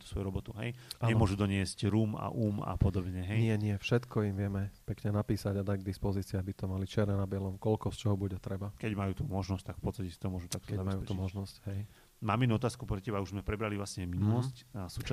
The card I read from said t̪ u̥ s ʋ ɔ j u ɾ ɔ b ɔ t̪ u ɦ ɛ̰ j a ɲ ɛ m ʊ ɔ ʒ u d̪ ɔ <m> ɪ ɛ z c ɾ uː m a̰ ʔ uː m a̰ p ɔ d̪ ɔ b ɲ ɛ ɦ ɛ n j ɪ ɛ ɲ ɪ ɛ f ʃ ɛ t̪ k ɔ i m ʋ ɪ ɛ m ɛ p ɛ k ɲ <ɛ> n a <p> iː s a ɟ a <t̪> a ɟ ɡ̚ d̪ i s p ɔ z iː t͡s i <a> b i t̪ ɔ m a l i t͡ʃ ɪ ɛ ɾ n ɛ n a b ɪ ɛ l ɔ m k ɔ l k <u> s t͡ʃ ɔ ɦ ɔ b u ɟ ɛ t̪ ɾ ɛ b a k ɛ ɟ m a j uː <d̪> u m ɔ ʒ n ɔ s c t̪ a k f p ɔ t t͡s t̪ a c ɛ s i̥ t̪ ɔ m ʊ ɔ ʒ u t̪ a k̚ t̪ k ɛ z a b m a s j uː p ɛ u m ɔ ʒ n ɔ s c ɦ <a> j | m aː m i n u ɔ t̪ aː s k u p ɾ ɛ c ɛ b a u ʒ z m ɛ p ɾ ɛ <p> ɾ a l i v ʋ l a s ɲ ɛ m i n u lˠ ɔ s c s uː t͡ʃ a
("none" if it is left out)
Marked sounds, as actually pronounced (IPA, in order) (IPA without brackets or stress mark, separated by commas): ɲ, ɛ, p, d̪, a, ɔ, t̪, ɛ, b